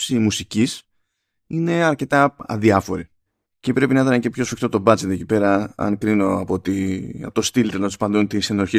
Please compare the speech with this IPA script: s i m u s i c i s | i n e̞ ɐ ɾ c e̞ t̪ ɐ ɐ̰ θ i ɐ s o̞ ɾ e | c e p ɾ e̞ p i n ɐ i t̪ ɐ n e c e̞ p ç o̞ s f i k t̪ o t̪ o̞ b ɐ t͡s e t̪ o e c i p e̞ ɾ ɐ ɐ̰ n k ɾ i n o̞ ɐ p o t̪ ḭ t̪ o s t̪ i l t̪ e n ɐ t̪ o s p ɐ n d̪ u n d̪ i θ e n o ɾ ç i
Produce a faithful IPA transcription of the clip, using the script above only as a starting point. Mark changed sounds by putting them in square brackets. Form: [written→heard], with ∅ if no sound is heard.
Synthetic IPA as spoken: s i m u s i c i s | i n e̞ ɐ ɾ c e̞ t̪ ɐ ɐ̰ [θ→ð] i ɐ [s→f] o̞ ɾ [e→i] | c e p ɾ e̞ p i n ɐ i t̪ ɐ n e c e̞ p ç o̞ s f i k t̪ o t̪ o̞ b ɐ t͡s e t̪ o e c i p e̞ ɾ ɐ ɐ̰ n k ɾ i n o̞ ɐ p o t̪ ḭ t̪ o s t̪ i l t̪ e n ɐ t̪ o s p ɐ n d̪ u n [d̪→t̪] i [θ→s] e n o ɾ ç i